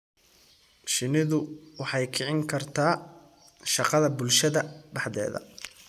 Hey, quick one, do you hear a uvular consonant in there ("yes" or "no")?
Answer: yes